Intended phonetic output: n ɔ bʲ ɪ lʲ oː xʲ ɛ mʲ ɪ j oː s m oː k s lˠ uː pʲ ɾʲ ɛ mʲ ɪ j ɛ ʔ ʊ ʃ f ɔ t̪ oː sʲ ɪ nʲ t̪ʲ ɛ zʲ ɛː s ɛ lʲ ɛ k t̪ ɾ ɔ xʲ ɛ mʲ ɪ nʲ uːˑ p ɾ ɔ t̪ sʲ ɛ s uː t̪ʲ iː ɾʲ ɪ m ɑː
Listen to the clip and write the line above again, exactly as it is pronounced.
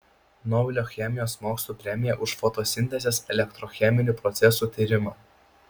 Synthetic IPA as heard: n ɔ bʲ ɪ lʲ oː xʲ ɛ mʲ ɪ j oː s m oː k s lˠ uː pʲ ɾʲ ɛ mʲ ɪ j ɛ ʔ ʊ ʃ f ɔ t̪ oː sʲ ɪ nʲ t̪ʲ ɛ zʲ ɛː s ɛ lʲ ɛ k t̪ ɾ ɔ xʲ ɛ mʲ ɪ nʲ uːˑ p ɾ ɔ t̪ sʲ ɛ s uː t̪ʲ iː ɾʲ ɪ m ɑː